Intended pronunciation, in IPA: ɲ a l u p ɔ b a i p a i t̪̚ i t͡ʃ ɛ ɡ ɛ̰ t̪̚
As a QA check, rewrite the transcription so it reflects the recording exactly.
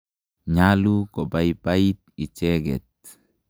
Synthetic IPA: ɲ a l u k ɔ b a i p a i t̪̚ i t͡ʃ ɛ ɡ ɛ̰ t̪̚